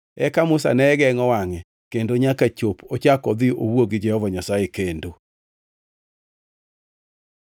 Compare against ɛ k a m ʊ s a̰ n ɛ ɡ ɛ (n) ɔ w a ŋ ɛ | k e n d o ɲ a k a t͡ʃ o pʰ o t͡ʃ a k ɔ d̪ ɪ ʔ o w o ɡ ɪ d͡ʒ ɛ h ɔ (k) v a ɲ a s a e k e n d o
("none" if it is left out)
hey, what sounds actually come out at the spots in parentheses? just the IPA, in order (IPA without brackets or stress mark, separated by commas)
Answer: ŋ, none